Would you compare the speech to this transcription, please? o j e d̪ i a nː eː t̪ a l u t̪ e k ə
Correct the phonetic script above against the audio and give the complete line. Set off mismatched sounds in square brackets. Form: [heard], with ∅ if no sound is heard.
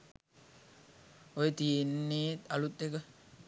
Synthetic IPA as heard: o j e [t̪] i [e] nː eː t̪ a l u t̪ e k ə